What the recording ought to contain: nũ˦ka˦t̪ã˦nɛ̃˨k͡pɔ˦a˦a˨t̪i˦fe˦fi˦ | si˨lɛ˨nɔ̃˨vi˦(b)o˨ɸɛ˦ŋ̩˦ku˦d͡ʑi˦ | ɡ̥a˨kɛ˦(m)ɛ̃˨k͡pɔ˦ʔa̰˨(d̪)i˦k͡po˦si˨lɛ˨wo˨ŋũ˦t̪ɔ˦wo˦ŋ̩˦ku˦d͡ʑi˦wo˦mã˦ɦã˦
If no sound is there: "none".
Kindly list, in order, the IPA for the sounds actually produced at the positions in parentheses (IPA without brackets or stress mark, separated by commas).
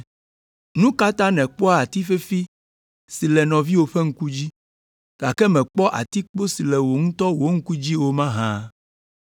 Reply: w, m, t̪